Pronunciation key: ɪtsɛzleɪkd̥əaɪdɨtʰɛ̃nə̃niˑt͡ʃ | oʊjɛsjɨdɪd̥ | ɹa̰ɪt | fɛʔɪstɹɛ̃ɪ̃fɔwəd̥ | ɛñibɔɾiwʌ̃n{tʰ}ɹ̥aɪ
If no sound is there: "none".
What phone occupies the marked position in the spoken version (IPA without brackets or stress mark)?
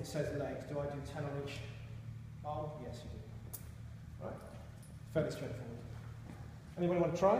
tʰ